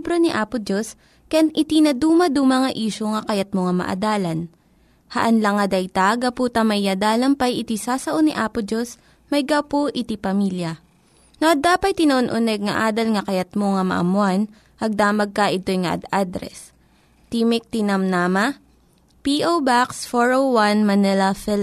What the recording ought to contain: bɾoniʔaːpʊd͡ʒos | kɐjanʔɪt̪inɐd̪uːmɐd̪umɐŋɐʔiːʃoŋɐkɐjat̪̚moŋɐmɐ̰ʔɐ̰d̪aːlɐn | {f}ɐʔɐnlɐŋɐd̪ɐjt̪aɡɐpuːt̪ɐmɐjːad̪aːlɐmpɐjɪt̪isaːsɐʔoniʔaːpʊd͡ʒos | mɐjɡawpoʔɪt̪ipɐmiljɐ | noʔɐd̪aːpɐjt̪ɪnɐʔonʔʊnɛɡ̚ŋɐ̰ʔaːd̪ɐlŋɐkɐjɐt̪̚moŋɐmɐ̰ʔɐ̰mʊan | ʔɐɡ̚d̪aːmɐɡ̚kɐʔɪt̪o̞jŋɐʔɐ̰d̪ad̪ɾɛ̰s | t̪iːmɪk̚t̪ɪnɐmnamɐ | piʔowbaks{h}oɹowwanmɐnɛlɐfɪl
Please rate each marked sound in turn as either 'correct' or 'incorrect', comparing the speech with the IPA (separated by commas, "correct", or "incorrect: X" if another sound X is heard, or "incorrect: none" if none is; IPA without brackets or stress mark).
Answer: incorrect: h, incorrect: f